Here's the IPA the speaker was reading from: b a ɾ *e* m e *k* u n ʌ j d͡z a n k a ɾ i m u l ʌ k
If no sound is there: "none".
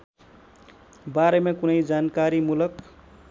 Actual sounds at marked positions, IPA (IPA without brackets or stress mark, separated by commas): e, k